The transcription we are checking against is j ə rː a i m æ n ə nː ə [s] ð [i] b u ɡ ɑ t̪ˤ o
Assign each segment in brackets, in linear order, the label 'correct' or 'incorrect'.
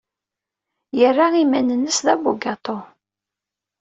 correct, incorrect: æ

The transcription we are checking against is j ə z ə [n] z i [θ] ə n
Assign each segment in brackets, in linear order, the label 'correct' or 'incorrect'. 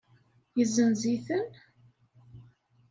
correct, correct

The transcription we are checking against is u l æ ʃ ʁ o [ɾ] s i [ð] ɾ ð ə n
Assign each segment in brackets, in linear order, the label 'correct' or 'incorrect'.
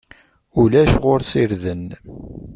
correct, incorrect: none

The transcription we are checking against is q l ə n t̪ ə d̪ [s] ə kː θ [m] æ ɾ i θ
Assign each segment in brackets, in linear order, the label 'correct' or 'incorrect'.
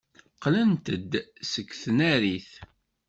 correct, incorrect: n

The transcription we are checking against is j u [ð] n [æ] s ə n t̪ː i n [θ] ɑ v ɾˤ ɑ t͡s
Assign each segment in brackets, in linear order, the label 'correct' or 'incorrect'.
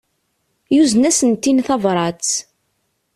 incorrect: z, correct, correct

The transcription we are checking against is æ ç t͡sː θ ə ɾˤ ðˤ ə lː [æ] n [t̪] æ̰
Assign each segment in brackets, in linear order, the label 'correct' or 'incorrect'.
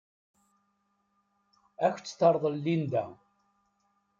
incorrect: i, incorrect: d̪

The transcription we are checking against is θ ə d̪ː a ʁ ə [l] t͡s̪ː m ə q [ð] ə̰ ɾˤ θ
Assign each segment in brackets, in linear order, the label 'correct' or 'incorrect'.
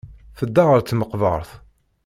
incorrect: ɾ, incorrect: v

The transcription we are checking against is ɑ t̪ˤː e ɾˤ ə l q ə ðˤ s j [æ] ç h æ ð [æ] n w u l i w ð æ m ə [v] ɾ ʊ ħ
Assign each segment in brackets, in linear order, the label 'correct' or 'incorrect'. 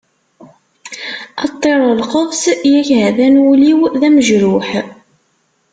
correct, correct, incorrect: ʒ

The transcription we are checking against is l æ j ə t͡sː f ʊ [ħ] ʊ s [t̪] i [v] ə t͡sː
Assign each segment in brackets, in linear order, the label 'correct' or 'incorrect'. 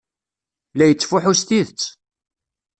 correct, correct, incorrect: ð

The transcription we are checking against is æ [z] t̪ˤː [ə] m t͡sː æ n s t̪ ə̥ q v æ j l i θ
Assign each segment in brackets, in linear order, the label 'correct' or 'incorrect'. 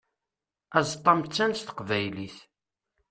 correct, incorrect: ɑ

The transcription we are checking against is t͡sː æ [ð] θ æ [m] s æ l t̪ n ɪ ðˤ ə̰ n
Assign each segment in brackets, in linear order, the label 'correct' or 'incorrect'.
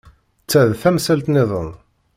correct, correct

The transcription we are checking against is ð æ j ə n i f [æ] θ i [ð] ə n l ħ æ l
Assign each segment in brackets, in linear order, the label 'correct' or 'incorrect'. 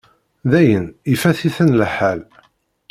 correct, incorrect: θ

